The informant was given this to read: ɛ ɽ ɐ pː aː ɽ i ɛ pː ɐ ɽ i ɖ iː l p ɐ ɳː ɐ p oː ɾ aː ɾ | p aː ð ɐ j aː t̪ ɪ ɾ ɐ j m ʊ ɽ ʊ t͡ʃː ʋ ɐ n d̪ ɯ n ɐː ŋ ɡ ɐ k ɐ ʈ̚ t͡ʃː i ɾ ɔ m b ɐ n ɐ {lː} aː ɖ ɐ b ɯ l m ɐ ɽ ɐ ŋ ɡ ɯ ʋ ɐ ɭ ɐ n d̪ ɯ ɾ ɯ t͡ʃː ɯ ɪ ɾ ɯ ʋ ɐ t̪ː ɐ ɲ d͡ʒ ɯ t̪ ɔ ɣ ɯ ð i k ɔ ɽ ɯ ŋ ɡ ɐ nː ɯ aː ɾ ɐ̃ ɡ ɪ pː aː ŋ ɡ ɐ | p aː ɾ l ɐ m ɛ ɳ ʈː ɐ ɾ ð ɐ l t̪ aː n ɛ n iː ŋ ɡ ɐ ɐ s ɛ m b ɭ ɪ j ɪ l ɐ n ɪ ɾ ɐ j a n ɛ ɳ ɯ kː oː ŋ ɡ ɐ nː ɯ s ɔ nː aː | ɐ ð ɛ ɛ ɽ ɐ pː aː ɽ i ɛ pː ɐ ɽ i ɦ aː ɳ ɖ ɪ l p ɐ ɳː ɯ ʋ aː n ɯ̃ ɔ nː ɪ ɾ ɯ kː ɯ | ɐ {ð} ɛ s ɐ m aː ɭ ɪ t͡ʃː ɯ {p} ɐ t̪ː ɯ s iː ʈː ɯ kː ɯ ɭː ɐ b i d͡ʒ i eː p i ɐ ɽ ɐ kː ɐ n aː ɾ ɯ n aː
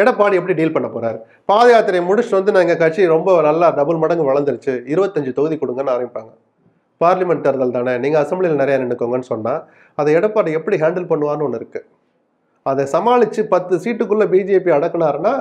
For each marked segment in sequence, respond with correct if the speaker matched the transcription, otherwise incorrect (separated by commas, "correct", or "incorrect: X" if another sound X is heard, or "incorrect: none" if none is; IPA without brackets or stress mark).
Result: correct, correct, correct